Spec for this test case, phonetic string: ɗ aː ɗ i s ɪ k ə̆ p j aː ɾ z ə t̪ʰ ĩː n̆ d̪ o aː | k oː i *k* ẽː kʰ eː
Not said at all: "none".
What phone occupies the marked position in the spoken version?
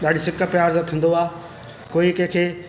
k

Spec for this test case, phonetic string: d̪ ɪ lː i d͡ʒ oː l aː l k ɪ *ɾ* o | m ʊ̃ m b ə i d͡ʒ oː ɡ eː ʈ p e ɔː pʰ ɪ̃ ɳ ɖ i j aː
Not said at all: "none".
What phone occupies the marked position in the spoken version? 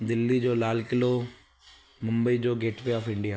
l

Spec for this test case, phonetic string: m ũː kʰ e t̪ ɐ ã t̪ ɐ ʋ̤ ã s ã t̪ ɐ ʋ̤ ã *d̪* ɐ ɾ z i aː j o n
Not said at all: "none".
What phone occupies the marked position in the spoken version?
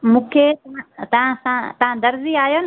d̪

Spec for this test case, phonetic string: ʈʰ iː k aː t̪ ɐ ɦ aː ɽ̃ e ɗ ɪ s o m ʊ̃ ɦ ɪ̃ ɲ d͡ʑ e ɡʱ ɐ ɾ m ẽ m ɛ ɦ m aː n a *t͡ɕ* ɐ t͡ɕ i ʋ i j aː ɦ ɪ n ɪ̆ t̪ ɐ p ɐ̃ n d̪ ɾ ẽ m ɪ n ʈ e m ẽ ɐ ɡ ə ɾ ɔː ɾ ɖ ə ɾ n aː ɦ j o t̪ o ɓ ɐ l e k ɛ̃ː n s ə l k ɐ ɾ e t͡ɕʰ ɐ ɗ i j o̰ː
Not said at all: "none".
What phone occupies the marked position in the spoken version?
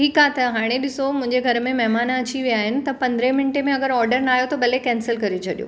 none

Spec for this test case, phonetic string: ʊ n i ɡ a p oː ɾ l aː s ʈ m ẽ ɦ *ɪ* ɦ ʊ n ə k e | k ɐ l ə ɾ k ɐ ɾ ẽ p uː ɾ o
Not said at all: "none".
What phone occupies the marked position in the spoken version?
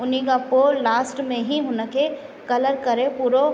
i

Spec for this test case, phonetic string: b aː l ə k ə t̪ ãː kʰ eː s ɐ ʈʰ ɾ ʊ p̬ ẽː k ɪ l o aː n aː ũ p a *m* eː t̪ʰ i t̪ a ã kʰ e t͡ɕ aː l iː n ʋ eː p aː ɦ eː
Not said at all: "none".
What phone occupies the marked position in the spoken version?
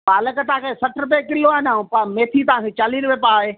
m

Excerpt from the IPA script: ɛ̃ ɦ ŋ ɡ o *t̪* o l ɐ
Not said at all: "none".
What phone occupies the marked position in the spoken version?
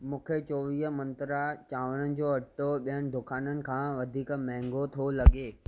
t̪ʰ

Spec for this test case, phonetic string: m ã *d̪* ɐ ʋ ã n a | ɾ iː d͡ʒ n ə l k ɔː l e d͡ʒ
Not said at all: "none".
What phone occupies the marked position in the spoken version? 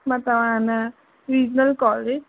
t̪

